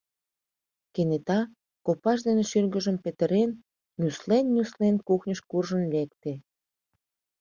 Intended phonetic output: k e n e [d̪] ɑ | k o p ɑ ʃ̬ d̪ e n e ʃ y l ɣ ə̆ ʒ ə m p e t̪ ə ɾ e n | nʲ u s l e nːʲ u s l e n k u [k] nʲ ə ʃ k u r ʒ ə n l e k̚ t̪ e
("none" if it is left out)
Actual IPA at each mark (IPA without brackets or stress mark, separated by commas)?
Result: t̪, x